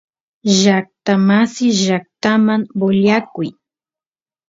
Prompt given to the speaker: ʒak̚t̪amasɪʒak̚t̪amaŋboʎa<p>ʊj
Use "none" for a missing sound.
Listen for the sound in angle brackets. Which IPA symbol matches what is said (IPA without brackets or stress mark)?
k